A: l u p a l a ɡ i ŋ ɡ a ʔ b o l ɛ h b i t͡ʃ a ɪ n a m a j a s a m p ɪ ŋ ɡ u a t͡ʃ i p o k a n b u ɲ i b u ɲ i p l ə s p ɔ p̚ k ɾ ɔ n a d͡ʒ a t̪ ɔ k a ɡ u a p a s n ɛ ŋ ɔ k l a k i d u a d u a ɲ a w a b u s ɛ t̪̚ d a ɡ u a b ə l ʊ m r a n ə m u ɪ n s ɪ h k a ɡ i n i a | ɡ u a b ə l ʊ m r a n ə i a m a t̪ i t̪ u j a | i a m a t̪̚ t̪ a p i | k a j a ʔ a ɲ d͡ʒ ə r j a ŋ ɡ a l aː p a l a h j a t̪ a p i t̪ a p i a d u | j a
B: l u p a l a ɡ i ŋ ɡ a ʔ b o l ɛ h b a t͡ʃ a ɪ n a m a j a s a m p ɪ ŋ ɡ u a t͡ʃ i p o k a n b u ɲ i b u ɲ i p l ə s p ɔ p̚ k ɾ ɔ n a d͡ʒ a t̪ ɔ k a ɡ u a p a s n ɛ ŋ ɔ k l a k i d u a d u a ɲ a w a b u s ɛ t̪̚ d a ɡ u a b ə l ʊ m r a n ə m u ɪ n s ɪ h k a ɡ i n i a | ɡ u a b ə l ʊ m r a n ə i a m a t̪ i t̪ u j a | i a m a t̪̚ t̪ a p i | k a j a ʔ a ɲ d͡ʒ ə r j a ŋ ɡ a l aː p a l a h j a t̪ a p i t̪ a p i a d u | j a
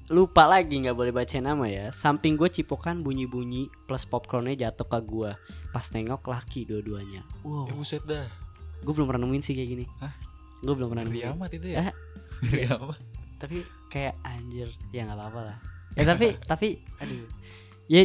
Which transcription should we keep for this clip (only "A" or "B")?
B